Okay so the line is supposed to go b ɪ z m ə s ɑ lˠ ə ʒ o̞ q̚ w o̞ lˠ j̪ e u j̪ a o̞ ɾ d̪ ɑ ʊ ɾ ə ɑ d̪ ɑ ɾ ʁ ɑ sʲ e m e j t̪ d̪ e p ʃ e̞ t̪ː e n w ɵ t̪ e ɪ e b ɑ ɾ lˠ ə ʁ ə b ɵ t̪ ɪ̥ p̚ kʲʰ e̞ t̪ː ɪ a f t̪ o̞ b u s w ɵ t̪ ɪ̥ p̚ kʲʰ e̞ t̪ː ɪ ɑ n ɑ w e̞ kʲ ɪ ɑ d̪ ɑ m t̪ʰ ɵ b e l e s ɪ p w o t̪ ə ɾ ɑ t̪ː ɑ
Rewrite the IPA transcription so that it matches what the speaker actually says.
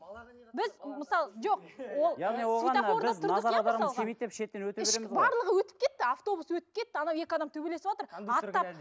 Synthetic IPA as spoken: b ɪ z m ə s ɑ lˠ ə ʒ o̞ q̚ w o̞ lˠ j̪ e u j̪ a o̞ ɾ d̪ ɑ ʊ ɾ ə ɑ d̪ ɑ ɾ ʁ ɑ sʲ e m e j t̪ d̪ e p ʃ e̞ t̪ː e n w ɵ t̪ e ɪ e b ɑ ɾ lˠ ə ʁ ə w ɵ t̪ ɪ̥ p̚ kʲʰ e̞ t̪ː ɪ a f t̪ o̞ b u s w ɵ t̪ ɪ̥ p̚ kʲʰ e̞ t̪ː ɪ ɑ n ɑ w e̞ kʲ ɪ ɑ d̪ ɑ m t̪ʰ ɵ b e l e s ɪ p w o t̪ ə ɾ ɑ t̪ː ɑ